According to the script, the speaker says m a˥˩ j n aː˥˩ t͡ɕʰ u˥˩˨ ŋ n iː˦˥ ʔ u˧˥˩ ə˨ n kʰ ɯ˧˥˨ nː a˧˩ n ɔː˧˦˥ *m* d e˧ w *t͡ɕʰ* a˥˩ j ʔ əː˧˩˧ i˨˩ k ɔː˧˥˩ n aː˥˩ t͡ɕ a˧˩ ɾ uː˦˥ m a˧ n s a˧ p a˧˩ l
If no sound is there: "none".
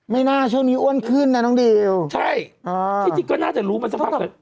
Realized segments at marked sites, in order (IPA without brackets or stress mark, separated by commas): ŋ, t͡ɕʰ